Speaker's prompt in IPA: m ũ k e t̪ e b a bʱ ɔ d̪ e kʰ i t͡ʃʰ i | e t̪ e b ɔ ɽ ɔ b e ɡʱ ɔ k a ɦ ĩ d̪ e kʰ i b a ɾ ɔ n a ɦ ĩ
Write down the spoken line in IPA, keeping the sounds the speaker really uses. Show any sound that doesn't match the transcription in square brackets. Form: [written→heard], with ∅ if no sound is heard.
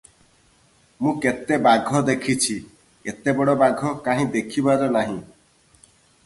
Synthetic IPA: m ũ k e t̪ e b a [bʱ→ɡʱ] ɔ d̪ e kʰ i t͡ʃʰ i | e t̪ e b ɔ ɽ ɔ b [e→a] ɡʱ ɔ k a ɦ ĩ d̪ e kʰ i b a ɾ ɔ n a ɦ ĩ